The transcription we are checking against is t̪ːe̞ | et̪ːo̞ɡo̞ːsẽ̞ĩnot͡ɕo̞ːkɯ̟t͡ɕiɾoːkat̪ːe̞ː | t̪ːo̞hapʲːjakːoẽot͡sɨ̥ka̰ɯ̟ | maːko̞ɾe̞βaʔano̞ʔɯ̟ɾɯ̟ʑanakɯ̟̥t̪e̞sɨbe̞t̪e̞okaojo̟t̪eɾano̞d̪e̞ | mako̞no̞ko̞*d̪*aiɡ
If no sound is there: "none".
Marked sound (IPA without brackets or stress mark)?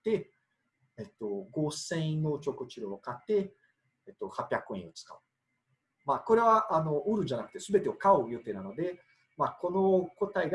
t̪